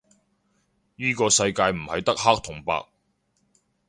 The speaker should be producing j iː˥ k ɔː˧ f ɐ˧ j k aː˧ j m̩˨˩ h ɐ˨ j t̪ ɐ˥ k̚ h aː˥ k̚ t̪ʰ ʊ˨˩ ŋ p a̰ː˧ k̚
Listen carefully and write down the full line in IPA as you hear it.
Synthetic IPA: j iː˥ k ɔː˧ s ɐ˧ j k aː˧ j m̩˨˩ h ɐ˨ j t̪ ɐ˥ k̚ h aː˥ k̚ t̪ʰ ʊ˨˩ ŋ p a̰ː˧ k̚